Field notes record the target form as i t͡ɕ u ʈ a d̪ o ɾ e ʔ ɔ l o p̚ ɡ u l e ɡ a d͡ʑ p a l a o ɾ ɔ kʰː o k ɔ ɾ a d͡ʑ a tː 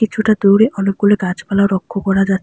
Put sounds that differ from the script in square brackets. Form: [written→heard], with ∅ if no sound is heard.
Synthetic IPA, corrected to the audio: i [t͡ɕ→t͡ɕʰ] u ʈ a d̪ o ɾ e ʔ ɔ l o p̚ ɡ u l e ɡ a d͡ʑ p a l a o ɾ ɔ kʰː o k ɔ ɾ a d͡ʑ a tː